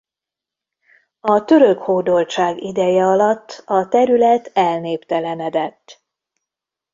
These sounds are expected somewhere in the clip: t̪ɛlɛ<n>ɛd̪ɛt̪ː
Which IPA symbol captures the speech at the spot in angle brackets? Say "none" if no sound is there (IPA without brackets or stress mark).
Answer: n